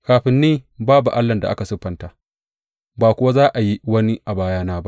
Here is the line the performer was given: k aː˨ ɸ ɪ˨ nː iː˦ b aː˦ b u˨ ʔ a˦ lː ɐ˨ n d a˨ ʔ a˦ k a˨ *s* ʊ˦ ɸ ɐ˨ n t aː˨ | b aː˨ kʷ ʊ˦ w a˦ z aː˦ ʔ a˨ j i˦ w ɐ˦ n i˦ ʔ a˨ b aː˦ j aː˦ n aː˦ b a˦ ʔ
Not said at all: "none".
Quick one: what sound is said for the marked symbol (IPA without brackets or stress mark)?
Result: s